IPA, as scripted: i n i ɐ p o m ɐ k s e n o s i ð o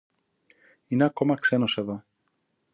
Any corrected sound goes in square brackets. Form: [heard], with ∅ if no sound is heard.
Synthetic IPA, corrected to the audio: i n [e] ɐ [k] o m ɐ k s e n o s [e] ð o